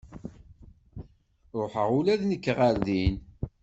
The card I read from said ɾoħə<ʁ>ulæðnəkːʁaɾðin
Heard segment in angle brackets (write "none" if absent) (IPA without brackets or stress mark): ʁ